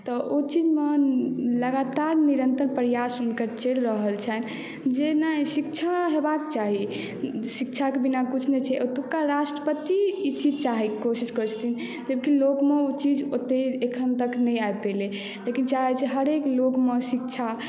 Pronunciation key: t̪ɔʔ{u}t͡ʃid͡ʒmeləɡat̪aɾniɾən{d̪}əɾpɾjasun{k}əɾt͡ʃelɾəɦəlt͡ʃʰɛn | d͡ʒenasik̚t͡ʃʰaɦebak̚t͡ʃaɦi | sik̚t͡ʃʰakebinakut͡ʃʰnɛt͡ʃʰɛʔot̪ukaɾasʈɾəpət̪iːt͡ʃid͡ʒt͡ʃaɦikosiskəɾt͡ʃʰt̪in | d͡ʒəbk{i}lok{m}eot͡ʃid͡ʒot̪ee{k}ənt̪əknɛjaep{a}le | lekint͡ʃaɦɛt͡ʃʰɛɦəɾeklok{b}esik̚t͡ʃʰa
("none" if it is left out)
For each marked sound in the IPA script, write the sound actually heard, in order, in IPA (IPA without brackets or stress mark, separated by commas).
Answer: o, t̪, k, i, m, kʰ, e, m